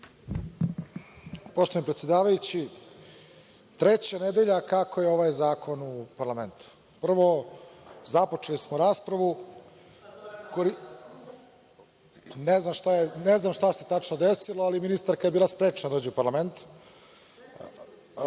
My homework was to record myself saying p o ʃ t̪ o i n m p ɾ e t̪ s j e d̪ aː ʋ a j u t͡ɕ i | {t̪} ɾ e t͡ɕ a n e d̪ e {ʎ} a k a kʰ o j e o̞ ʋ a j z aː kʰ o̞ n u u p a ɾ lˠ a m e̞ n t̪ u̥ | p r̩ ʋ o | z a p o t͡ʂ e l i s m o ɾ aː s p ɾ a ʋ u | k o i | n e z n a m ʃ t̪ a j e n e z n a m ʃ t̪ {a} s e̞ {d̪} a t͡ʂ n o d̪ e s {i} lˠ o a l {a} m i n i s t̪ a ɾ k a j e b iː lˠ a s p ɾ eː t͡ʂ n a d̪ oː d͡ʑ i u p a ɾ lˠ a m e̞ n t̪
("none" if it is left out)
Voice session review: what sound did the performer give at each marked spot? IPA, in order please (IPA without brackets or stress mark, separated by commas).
t̪, ʎ, a, t̪, i, i